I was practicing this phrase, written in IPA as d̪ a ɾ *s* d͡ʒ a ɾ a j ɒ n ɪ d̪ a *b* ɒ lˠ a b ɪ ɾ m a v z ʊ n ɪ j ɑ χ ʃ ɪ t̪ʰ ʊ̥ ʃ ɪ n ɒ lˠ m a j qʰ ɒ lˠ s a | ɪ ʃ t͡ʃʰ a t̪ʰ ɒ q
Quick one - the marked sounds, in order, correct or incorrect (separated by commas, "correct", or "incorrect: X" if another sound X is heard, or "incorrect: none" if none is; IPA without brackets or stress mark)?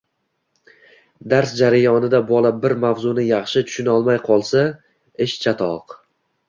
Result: correct, correct